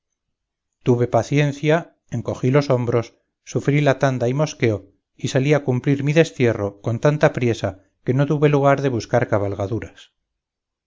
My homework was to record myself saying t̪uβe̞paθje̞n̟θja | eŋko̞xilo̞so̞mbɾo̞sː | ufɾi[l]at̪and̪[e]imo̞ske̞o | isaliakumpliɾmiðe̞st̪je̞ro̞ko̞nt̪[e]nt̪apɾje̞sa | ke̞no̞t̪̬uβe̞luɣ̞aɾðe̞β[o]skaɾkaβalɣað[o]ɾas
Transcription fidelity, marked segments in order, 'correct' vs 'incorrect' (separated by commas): correct, incorrect, incorrect, incorrect, incorrect